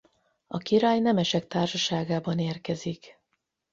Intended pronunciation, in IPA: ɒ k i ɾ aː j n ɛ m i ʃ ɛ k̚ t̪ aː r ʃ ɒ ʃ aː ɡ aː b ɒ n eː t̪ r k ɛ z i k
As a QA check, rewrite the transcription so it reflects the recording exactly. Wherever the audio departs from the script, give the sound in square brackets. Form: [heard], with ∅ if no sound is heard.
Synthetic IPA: ɒ k i ɾ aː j n ɛ m [ɛ] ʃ ɛ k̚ t̪ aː r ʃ ɒ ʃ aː ɡ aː b ɒ n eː [∅] r k ɛ z i k